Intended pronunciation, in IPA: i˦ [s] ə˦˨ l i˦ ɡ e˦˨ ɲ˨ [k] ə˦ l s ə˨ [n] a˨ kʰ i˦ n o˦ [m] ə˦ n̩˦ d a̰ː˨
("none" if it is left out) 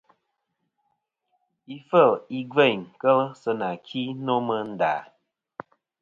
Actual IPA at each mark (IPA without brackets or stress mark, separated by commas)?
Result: f, k, n, m